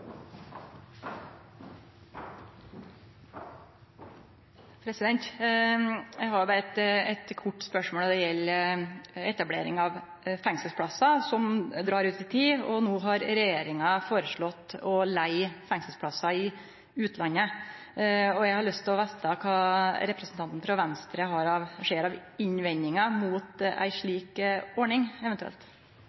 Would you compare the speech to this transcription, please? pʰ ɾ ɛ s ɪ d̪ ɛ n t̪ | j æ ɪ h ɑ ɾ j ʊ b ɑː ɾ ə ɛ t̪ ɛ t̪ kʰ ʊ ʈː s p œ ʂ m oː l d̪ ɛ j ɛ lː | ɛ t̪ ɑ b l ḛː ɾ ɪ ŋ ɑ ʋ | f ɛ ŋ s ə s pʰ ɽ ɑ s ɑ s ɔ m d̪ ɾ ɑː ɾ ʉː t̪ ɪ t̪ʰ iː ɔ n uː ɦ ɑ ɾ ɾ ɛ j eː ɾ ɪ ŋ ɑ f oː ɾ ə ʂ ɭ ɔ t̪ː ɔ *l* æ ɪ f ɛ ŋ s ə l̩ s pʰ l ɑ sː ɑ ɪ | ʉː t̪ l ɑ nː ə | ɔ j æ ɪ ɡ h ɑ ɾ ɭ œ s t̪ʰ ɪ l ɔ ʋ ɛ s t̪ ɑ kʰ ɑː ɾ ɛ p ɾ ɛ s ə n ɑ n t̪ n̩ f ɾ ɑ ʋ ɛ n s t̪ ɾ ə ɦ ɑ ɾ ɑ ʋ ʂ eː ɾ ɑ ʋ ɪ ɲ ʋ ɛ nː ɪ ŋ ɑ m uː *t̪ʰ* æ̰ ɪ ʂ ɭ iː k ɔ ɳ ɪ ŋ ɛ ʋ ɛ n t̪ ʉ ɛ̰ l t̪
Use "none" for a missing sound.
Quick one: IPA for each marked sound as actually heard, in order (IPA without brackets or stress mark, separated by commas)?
l, t̪